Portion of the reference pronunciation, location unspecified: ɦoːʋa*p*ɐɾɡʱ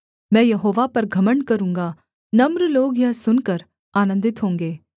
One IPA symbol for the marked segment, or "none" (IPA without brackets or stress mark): p